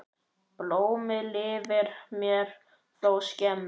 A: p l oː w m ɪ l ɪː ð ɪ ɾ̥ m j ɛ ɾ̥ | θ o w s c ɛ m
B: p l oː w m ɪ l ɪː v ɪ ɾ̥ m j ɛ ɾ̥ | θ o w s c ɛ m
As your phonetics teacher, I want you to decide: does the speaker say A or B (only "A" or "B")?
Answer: B